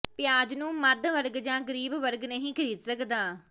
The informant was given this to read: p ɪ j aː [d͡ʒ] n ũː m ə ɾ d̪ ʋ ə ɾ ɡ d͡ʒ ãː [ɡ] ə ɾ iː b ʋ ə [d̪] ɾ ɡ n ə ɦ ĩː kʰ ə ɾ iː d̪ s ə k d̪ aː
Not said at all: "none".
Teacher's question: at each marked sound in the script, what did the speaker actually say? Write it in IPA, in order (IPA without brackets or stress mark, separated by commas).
d͡ʒ, ɡ, none